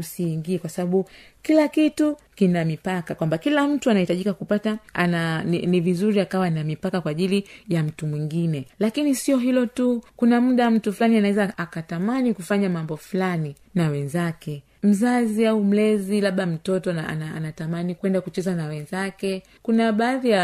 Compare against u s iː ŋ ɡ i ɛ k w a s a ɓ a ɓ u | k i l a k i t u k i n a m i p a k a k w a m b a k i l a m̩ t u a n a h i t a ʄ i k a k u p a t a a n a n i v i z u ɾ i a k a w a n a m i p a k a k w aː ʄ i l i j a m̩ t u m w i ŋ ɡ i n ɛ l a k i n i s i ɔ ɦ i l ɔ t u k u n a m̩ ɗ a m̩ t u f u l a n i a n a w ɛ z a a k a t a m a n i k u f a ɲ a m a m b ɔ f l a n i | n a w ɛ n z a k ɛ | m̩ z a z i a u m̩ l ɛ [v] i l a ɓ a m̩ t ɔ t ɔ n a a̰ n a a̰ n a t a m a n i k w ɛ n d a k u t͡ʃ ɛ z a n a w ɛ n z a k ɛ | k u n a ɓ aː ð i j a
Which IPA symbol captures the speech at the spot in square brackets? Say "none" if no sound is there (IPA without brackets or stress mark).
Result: z